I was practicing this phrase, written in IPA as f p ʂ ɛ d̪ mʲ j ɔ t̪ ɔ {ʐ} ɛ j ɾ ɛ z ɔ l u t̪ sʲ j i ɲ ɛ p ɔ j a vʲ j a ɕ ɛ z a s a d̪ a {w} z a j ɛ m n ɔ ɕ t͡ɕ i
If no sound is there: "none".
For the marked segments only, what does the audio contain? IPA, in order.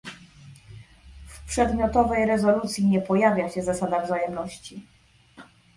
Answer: v, v

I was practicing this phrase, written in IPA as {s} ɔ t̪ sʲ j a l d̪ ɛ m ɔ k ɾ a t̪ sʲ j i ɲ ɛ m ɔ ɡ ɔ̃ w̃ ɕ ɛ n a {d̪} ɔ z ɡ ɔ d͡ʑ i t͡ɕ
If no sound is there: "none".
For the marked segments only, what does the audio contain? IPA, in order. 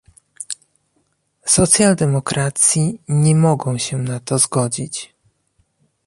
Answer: s, t̪

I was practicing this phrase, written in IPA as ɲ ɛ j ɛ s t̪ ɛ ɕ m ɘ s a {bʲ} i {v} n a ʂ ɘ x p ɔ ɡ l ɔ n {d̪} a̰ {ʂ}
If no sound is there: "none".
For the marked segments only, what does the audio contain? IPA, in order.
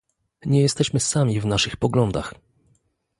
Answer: mʲ, v, d̪, x

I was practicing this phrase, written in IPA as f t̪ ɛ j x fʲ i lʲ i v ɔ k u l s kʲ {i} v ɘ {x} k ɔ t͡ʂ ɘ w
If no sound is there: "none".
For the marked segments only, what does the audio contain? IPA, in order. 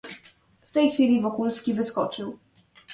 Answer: i, s

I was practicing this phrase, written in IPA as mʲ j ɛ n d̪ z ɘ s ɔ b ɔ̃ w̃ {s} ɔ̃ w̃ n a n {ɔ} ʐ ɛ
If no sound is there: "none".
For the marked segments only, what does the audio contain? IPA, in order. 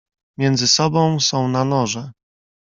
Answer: s, ɔ

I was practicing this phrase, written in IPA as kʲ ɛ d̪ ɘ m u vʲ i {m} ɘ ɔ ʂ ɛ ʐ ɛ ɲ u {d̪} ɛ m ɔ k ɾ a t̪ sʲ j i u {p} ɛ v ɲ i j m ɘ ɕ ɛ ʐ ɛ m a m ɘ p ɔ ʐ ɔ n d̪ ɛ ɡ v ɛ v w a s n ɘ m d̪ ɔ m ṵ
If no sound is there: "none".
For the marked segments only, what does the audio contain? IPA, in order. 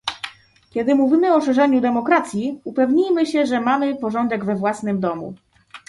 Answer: m, d̪, p

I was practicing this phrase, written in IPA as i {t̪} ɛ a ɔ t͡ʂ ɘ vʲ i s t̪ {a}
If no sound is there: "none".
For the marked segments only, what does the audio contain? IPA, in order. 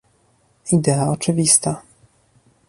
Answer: d̪, a

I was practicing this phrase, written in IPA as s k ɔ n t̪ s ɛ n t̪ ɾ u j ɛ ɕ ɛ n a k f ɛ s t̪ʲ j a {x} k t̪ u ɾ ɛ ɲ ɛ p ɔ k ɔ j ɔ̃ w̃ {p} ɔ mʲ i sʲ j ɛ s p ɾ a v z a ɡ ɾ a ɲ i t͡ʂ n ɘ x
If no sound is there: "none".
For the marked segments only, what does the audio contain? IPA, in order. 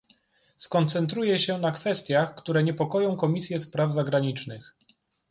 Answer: x, k

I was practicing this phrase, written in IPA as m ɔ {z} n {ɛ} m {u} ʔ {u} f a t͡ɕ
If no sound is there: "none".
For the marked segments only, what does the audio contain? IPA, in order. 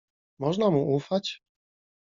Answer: ʐ, a, u, u

